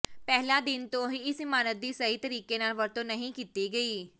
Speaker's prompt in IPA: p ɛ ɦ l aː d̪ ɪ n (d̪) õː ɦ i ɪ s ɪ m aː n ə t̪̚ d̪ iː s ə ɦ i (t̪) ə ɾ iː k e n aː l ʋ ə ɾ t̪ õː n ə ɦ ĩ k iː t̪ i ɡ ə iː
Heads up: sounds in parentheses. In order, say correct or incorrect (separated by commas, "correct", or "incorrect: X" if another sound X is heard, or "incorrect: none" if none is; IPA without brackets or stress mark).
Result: incorrect: t̪, correct